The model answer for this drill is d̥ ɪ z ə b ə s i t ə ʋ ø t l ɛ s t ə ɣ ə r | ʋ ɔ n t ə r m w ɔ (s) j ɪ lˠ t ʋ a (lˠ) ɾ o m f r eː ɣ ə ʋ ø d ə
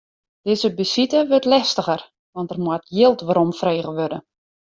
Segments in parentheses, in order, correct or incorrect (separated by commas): incorrect, incorrect